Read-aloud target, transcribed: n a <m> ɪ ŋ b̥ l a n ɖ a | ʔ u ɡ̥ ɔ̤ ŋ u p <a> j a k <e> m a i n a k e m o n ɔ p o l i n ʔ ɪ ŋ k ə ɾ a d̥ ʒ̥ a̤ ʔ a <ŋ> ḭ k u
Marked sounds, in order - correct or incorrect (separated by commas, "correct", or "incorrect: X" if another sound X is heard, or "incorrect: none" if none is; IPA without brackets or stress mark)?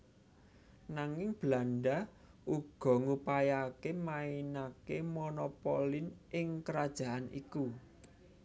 incorrect: ŋ, correct, correct, incorrect: n